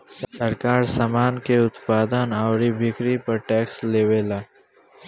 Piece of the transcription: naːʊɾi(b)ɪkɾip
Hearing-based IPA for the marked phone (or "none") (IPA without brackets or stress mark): b